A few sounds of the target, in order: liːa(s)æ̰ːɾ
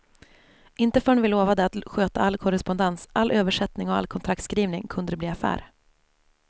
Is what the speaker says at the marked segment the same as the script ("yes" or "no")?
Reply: no